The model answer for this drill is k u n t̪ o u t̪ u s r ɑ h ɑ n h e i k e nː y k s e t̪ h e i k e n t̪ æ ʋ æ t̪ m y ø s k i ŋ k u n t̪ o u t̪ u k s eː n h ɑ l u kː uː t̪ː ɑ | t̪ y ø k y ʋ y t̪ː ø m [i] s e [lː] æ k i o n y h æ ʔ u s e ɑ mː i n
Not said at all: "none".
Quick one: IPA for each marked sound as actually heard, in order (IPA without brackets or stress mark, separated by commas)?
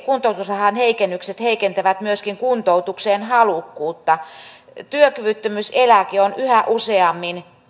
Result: y, l